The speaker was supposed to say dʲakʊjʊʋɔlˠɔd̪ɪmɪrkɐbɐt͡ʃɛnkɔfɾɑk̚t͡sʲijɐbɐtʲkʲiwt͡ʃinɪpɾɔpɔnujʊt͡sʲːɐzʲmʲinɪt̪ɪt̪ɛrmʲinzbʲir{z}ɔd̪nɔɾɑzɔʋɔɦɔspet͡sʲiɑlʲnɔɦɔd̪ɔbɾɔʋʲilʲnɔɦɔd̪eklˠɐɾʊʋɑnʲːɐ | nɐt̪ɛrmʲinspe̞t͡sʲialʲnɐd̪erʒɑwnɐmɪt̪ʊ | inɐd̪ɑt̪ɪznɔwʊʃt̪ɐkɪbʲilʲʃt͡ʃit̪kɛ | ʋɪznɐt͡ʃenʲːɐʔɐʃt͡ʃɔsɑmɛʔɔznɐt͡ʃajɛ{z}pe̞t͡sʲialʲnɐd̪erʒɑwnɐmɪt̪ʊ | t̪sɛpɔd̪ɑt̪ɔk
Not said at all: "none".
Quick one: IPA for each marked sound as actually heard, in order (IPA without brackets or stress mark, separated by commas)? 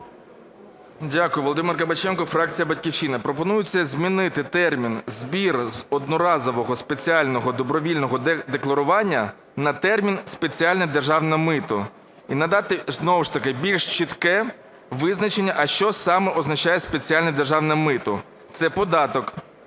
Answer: z, s